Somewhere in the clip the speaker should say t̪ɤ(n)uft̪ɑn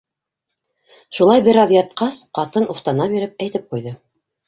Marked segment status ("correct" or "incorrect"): correct